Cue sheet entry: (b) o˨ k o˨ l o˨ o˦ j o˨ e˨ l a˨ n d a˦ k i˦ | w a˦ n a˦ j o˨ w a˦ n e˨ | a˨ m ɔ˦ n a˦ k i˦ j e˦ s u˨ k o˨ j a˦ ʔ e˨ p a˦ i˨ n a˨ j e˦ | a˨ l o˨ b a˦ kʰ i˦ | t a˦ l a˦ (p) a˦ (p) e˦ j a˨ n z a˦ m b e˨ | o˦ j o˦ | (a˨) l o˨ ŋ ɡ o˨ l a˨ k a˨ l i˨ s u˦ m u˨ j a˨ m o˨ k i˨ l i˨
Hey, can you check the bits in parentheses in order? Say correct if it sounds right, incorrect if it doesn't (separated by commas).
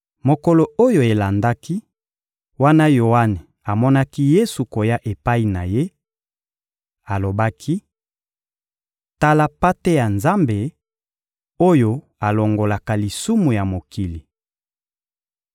incorrect, correct, incorrect, correct